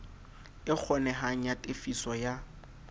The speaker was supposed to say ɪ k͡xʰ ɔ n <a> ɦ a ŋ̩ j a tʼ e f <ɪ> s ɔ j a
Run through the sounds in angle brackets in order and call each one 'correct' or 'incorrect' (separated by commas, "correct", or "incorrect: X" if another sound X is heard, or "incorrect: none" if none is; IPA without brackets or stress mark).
incorrect: ɛ, incorrect: i